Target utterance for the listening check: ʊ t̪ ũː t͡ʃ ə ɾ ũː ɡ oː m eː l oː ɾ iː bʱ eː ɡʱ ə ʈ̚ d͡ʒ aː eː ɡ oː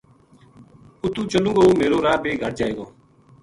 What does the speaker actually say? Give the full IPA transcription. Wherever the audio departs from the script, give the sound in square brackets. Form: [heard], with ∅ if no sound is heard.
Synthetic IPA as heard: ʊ t̪ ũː t͡ʃ ə [l] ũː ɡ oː m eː [ɾ] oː ɾ [aː] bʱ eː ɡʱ ə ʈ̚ d͡ʒ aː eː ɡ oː